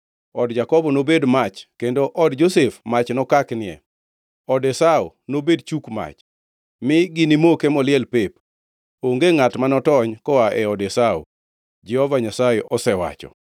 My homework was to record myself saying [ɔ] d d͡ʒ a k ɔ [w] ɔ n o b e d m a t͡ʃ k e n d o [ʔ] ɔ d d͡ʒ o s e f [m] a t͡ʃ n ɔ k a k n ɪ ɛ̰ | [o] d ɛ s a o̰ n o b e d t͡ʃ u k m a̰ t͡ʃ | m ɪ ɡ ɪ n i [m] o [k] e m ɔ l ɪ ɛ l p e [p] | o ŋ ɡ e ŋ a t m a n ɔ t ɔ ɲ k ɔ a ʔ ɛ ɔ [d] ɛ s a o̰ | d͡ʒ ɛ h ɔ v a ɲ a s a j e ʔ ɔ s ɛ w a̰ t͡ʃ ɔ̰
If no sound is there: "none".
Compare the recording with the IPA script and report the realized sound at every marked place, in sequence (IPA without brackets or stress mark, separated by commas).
ɔ, b, ʔ, m, ɔ, m, k, p, d